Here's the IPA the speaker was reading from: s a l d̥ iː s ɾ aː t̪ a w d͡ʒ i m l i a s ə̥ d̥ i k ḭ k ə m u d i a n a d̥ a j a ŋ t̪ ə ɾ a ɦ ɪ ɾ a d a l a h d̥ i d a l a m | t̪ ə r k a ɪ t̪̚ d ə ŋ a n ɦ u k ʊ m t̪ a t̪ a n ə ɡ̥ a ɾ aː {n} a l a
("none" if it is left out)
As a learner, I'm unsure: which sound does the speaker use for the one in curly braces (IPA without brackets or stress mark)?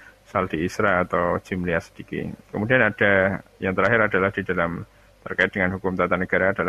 d